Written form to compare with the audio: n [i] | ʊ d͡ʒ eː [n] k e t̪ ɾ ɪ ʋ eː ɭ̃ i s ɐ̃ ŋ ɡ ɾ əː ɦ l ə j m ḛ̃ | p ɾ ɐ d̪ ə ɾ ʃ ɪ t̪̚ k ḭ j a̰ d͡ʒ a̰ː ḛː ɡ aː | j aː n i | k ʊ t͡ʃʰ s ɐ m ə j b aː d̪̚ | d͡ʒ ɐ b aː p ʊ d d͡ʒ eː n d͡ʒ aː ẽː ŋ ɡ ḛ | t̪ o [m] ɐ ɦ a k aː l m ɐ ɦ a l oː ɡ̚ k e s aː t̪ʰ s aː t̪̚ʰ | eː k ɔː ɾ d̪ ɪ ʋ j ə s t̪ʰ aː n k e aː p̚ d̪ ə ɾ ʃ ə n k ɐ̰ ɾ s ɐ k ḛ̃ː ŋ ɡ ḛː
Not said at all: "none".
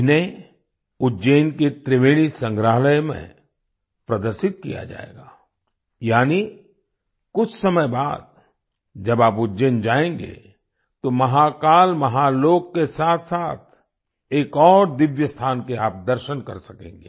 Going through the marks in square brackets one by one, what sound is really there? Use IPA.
e, n, m

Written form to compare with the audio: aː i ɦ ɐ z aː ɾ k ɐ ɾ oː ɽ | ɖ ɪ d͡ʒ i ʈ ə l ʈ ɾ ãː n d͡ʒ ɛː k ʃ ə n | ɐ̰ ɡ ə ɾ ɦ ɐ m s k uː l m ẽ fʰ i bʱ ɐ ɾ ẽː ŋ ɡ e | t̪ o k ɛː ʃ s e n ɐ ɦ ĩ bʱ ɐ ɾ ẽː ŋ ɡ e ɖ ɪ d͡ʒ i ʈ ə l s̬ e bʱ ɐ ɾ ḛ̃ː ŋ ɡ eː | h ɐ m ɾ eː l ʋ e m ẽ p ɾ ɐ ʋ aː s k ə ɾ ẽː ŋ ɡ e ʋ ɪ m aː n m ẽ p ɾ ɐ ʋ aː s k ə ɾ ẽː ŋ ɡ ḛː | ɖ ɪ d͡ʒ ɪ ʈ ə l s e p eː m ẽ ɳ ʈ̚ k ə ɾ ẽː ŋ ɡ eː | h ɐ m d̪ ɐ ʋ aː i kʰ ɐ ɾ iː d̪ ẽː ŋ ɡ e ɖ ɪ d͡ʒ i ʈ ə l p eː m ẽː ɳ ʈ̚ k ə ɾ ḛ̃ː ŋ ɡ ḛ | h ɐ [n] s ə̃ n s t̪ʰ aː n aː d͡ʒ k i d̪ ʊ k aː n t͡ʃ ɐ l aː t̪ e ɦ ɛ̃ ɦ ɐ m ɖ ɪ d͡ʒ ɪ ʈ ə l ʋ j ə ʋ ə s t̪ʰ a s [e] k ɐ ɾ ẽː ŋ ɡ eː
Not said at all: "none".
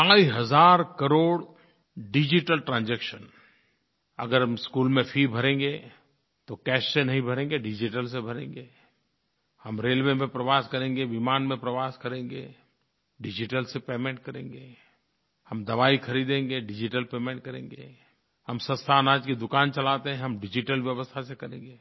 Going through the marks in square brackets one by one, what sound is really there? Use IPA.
m, e

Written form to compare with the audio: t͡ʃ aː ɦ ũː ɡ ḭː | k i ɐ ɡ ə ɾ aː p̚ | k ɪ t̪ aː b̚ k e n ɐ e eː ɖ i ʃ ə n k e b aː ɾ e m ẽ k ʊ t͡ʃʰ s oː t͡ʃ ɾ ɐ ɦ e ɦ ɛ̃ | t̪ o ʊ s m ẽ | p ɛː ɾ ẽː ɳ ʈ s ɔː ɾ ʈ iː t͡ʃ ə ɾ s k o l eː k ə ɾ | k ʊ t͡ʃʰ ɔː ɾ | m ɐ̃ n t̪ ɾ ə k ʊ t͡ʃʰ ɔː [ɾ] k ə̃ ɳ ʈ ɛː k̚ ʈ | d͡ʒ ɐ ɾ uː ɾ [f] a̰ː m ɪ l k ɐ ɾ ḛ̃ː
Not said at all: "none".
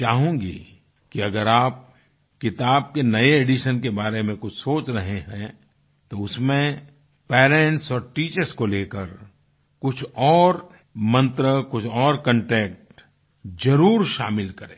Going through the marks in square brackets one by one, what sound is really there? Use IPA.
ɾ, ʃ

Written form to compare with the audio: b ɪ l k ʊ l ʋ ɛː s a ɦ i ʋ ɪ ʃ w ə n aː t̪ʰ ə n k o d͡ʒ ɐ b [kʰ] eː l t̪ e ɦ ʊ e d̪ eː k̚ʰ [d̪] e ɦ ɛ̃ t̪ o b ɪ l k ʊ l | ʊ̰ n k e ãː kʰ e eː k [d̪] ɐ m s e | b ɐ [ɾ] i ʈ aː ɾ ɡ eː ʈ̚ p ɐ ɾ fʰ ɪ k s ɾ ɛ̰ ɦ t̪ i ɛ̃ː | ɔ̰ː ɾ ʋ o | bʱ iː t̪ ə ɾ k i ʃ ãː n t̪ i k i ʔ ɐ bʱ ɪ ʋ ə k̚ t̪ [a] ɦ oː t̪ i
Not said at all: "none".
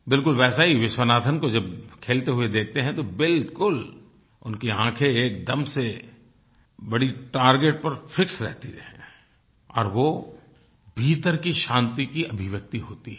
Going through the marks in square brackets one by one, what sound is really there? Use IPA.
kʰ, t̪, d̪, ɽ, i

